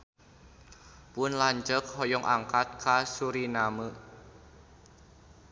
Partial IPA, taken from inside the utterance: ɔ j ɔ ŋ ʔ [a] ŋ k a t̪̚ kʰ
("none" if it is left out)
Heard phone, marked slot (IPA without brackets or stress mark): a